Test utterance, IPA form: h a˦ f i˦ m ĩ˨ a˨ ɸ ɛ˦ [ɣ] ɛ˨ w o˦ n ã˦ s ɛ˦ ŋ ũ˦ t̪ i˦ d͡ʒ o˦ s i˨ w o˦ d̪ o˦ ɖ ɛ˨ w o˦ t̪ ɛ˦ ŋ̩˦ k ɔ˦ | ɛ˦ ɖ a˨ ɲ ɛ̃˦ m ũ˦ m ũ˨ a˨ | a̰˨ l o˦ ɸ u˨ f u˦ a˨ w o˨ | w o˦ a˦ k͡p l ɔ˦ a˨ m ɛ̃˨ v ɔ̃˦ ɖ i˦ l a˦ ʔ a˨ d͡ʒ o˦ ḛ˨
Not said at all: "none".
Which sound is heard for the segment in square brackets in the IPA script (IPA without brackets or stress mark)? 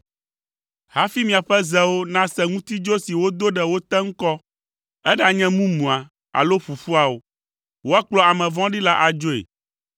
z